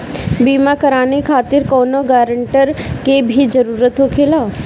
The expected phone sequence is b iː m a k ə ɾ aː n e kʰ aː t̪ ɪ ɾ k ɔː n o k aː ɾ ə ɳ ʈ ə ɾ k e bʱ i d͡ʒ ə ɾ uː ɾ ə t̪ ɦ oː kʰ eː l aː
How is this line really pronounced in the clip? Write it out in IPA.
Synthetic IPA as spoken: b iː m a k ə ɾ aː n e kʰ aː t̪ ɪ ɾ k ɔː n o ɡ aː ɾ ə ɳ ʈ ə ɾ k e bʱ i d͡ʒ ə ɾ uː ɾ ə t̪ ɦ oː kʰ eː l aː